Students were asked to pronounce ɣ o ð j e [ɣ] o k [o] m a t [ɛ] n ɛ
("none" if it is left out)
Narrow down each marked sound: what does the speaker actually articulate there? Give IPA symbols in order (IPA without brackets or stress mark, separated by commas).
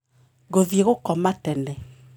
ɣ, ɔ, ɛ